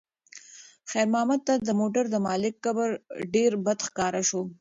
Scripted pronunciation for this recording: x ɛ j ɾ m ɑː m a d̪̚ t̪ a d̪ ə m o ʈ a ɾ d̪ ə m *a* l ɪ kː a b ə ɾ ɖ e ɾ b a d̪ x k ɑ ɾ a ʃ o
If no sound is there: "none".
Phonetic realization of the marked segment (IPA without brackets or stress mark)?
ɑ